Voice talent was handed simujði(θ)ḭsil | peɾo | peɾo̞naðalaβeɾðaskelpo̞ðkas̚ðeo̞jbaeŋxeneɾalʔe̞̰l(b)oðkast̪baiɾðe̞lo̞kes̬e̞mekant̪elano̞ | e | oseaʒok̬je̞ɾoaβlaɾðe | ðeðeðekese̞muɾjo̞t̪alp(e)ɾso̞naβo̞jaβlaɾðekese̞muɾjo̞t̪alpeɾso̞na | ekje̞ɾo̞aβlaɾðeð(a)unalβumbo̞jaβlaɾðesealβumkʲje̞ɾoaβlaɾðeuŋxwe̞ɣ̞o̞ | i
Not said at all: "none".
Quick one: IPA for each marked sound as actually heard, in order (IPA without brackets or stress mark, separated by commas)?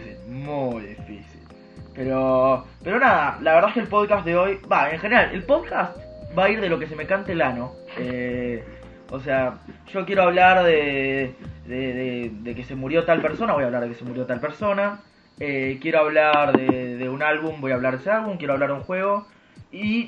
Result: f, p, e, e